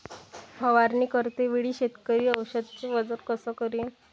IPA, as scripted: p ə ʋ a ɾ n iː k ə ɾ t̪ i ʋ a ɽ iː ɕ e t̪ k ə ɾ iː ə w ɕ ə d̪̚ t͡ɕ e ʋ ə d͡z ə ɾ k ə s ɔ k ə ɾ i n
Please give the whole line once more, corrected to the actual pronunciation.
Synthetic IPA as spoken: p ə ʋ a ɾ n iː k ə ɾ t̪ e ʋ i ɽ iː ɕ e t̪ k ə ɾ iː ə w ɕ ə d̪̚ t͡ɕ e ʋ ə d͡z ə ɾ k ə s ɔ k ə ɾ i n